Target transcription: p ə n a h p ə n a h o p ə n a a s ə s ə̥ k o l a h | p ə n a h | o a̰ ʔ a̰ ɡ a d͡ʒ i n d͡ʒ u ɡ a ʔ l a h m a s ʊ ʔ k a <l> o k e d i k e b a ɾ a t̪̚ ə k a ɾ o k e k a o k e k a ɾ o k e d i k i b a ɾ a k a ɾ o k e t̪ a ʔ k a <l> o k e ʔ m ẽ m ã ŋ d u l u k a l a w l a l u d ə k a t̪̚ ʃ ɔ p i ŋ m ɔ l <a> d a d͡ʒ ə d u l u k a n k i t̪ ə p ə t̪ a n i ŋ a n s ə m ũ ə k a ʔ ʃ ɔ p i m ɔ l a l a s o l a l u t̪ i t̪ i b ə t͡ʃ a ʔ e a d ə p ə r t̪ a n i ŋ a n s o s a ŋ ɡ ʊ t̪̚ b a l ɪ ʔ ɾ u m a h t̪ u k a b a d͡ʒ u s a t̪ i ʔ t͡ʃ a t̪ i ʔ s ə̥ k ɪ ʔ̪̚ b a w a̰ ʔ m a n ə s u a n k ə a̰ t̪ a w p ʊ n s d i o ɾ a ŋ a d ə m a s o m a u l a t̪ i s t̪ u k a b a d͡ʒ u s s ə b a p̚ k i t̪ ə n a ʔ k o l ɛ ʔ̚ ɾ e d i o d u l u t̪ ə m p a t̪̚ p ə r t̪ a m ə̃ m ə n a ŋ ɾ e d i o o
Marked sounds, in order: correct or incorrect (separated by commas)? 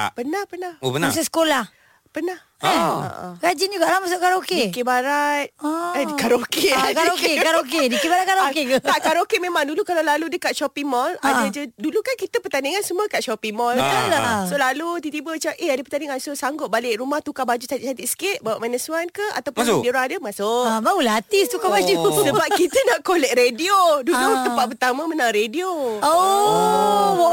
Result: incorrect, incorrect, correct